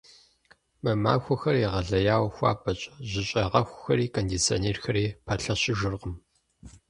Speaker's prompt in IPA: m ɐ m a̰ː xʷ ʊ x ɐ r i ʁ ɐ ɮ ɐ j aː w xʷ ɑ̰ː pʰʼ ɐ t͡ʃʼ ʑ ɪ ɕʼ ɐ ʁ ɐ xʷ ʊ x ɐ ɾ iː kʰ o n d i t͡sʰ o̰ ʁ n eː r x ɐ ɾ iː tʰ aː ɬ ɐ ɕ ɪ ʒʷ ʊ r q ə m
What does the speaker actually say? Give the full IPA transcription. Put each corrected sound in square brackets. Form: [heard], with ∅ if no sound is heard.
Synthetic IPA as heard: m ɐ m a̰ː xʷ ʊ x ɐ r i ʁ ɐ ɮ ɐ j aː w xʷ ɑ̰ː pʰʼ ɐ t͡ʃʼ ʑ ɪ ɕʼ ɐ ʁ ɐ xʷ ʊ x ɐ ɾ iː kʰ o n d i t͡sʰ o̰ [∅] n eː r x ɐ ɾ iː [pʰ] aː ɬ ɐ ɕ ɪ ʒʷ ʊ r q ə m